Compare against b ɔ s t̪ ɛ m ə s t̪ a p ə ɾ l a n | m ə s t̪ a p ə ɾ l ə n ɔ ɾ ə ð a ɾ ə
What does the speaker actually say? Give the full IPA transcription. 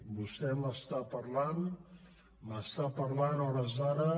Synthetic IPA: b u s t̪ ɛ m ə s t̪ a p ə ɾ l a n | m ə s t̪ a p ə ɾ l a n ɔ ɾ ə z a ɾ ə